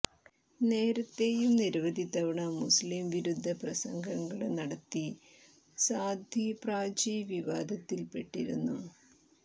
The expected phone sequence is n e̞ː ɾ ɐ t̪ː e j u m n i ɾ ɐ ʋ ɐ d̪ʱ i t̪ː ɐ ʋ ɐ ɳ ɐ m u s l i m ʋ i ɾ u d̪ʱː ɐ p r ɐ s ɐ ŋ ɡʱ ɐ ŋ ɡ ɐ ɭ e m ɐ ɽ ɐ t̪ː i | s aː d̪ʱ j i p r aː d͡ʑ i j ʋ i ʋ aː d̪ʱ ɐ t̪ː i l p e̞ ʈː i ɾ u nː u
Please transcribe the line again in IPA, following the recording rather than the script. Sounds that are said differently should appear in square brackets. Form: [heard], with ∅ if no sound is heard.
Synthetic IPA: n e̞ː ɾ ɐ t̪ː e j u m n i ɾ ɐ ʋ ɐ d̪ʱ i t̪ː ɐ ʋ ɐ ɳ ɐ m u s l i m ʋ i ɾ u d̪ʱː ɐ p r ɐ s ɐ ŋ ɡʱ ɐ ŋ ɡ ɐ ɭ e [n] ɐ ɽ ɐ t̪ː i | s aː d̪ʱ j i p r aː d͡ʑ i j ʋ i ʋ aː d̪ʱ ɐ t̪ː i l p e̞ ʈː i ɾ u nː u